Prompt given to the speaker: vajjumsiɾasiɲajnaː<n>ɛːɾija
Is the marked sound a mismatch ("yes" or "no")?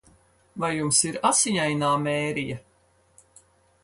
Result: yes